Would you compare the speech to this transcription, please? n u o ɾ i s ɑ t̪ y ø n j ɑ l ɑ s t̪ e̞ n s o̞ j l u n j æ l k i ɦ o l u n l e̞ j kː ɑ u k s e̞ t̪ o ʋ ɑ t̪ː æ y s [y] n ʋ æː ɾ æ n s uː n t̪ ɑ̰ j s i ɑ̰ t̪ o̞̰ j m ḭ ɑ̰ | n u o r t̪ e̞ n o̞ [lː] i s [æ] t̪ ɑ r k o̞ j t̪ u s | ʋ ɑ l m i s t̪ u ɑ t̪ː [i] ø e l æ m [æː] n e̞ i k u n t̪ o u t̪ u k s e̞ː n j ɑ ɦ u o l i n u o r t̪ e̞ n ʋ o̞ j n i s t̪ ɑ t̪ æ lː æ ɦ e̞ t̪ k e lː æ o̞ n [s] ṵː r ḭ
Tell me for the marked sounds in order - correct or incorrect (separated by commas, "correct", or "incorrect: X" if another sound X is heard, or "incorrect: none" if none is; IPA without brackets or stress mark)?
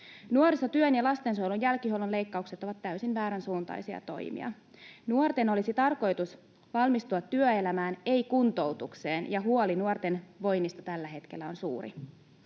incorrect: i, incorrect: l, incorrect: i, incorrect: y, correct, correct